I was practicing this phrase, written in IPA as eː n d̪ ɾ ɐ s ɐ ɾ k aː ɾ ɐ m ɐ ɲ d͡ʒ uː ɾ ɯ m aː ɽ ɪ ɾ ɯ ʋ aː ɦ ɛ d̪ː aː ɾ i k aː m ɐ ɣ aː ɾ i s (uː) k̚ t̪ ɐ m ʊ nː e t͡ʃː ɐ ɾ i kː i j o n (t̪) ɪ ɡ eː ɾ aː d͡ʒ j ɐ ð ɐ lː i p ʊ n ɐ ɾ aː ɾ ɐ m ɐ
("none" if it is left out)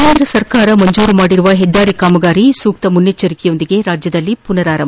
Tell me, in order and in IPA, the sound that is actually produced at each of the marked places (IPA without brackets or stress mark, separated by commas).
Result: uː, d̪